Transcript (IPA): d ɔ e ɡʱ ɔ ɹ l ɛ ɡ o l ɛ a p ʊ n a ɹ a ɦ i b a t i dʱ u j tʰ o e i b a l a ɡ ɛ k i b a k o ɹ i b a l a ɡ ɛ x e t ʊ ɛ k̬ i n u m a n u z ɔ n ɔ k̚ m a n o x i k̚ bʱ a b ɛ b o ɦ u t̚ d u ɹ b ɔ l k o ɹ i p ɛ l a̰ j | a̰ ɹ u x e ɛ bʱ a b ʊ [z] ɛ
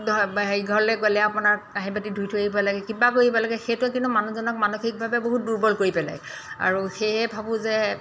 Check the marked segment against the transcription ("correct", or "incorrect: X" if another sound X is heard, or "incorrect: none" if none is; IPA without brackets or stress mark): correct